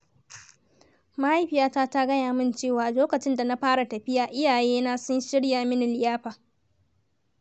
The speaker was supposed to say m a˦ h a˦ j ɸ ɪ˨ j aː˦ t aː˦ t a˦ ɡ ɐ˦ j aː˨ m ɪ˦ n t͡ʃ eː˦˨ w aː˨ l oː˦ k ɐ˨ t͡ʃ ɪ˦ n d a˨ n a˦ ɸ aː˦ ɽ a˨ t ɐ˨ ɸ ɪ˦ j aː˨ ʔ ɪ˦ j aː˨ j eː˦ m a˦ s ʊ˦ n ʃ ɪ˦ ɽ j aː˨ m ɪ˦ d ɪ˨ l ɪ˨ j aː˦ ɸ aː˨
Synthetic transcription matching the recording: m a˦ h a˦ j ɸ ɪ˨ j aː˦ t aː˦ t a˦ ɡ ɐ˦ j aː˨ m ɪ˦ n t͡ʃ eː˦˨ w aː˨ l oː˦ k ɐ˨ t͡ʃ ɪ˦ n d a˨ n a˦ ɸ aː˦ ɽ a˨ t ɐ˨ ɸ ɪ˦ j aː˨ ʔ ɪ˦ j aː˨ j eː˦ n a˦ s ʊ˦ n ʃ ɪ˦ ɽ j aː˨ m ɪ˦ n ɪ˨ l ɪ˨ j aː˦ ɸ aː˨